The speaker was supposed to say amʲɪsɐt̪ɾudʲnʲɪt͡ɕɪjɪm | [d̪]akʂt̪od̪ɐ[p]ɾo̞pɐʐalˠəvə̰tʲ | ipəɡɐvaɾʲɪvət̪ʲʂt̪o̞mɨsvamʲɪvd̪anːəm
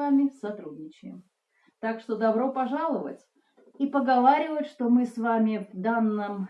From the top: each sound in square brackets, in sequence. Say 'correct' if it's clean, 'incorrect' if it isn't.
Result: incorrect, incorrect

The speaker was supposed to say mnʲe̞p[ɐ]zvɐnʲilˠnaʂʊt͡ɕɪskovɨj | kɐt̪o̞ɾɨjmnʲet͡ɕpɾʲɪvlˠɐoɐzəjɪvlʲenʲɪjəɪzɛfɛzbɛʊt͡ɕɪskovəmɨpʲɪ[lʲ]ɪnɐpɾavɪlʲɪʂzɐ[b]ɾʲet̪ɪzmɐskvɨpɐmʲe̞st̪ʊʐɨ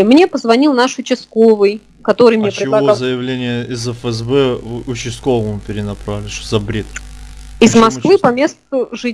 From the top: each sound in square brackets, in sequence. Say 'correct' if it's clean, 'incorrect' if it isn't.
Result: incorrect, incorrect, correct

